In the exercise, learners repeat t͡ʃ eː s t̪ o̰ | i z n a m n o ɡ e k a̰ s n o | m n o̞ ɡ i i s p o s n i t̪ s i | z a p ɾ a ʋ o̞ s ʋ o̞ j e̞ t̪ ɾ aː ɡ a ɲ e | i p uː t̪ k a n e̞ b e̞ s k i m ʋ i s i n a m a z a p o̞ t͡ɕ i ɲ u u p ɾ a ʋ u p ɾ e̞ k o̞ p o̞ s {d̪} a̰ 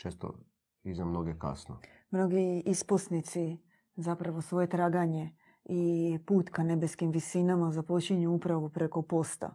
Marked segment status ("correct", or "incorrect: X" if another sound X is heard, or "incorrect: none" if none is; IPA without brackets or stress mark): incorrect: t̪